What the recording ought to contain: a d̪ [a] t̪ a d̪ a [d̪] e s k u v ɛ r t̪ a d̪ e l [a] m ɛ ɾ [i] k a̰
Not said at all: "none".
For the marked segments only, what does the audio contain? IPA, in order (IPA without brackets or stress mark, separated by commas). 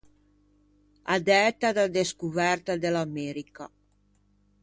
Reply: ɛ, d̪, a, i